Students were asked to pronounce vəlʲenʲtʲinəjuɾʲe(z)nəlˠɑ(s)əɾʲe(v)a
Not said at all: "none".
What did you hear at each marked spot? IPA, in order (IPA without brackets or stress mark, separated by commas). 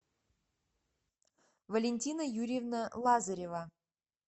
v, z, v